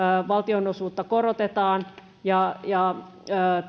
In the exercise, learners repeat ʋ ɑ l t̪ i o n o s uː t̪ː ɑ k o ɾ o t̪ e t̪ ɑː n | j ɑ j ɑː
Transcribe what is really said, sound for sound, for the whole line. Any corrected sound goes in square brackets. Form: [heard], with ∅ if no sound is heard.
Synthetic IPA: ʋ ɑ l t̪ i o n o s uː t̪ː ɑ k o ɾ o t̪ e t̪ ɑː n | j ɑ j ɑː